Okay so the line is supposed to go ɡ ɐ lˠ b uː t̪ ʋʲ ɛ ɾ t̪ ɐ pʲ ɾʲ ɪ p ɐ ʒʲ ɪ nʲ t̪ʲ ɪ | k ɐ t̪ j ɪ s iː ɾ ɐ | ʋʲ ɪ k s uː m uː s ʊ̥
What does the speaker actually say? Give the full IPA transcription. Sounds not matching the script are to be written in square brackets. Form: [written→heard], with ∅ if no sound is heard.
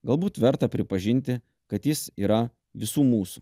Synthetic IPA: ɡ ɐ lˠ b uː t̪ ʋʲ ɛ ɾ t̪ ɐ pʲ ɾʲ ɪ p ɐ ʒʲ ɪ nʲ t̪ʲ ɪ | k ɐ t̪ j ɪ s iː ɾ ɐ | ʋʲ ɪ [k→∅] s uː m uː s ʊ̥